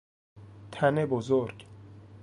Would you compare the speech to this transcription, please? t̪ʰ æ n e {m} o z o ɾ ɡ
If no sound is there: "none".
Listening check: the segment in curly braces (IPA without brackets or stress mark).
b